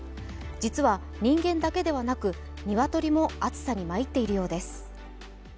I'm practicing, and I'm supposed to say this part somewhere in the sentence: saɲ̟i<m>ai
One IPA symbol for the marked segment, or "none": m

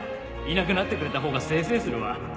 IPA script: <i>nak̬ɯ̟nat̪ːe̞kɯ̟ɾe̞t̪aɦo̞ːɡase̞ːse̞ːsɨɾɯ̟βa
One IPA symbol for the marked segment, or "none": i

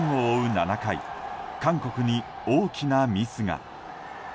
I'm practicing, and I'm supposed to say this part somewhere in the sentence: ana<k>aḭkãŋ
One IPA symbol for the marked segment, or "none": k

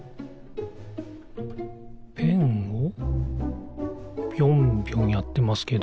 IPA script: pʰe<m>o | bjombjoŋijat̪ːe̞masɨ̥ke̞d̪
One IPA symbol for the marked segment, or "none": ŋ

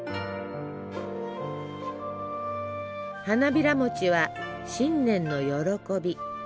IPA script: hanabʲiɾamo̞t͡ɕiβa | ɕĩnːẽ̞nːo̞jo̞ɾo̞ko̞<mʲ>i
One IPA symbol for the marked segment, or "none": bʲ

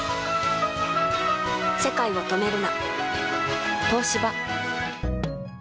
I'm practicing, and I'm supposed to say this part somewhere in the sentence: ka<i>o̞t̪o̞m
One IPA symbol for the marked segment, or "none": i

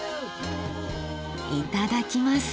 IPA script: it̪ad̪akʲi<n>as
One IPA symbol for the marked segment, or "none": m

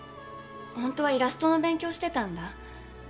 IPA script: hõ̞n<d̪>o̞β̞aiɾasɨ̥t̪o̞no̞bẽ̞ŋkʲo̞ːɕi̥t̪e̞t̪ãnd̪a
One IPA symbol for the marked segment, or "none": t̪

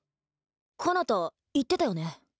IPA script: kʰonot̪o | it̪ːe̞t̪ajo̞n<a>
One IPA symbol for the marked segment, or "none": e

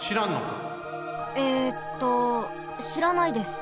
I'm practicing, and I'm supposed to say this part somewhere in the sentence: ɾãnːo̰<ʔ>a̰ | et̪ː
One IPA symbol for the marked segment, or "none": k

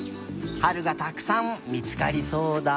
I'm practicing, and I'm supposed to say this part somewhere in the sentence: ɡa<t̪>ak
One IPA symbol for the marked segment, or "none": t̪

